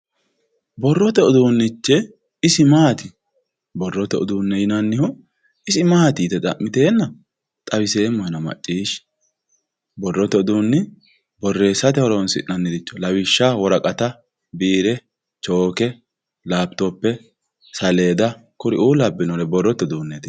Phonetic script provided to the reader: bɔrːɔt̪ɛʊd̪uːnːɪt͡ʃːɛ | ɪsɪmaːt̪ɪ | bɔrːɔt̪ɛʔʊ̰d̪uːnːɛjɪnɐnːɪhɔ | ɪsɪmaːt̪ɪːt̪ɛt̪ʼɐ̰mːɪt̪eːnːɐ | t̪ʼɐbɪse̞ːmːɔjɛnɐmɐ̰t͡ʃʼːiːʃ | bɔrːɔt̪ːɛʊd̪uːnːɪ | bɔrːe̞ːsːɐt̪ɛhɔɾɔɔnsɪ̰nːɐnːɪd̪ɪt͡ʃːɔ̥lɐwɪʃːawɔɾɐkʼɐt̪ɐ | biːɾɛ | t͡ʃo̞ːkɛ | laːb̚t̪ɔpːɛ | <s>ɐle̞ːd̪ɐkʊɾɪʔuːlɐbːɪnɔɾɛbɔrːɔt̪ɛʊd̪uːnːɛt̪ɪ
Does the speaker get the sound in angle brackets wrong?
no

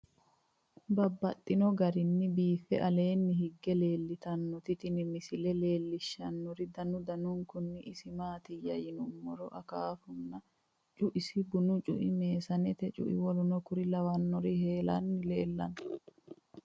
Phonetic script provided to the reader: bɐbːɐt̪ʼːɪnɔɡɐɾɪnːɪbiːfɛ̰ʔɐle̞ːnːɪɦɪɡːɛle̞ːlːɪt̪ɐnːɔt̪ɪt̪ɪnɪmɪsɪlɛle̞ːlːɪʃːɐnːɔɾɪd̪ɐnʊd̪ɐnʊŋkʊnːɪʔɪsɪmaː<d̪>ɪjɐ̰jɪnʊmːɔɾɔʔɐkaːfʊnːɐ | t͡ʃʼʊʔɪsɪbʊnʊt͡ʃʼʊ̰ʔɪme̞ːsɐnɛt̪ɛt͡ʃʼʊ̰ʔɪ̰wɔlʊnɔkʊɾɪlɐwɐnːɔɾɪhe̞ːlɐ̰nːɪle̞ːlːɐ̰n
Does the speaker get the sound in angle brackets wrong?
yes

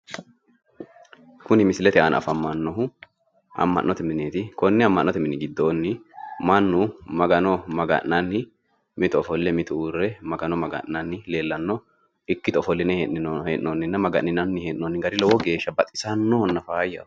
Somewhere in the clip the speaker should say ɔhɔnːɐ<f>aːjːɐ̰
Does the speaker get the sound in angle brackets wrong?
no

